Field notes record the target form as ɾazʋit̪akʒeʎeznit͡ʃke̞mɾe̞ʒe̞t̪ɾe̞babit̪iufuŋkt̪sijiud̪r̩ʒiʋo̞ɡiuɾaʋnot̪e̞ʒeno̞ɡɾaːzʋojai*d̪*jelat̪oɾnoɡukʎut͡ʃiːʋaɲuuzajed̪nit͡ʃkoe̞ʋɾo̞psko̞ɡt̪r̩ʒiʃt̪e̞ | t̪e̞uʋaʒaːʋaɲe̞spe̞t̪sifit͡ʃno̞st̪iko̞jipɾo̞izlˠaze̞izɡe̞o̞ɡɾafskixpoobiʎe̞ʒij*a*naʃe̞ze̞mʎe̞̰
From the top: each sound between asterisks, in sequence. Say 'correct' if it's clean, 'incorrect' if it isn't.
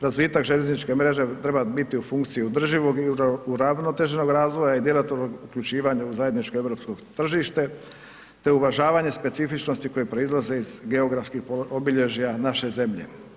correct, correct

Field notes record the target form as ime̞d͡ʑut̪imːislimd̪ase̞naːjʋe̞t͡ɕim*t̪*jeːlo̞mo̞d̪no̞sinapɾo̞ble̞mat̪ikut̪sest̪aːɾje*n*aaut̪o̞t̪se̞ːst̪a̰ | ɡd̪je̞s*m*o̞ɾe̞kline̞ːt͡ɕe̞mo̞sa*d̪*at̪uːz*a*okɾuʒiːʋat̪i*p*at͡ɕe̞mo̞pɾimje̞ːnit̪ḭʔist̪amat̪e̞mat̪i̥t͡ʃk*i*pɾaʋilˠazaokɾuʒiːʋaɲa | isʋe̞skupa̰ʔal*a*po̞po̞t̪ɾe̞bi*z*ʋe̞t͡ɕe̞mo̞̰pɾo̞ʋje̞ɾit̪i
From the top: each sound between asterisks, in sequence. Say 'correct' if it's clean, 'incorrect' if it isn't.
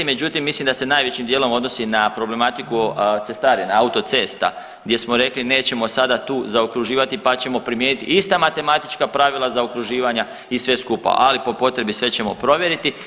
incorrect, correct, correct, correct, correct, correct, incorrect, incorrect, incorrect

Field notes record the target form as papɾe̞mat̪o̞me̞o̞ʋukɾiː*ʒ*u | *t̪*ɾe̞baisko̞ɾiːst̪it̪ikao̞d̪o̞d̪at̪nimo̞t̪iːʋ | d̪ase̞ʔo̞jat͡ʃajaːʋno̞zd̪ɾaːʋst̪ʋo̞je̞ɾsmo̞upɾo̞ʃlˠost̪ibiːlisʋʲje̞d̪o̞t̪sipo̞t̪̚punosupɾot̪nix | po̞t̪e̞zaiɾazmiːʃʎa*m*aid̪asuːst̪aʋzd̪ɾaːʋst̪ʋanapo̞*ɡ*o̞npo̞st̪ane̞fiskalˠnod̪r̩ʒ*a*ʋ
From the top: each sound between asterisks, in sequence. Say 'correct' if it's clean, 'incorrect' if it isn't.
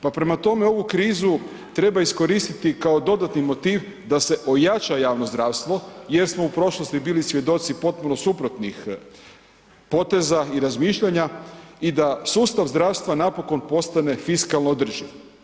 incorrect, correct, incorrect, incorrect, incorrect

